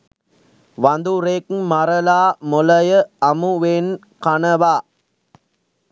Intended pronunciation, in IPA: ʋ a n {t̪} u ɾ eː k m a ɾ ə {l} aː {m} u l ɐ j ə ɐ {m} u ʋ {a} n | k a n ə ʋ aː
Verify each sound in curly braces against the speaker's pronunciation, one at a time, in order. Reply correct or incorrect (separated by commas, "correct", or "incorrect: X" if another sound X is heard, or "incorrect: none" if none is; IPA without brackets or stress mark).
incorrect: d̪, correct, correct, correct, incorrect: e